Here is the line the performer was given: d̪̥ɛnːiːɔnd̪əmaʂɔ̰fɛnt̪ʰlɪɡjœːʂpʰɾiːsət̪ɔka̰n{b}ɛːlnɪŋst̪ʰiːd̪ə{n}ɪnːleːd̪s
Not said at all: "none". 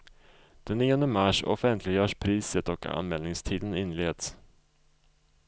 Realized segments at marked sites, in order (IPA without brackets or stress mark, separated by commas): m, n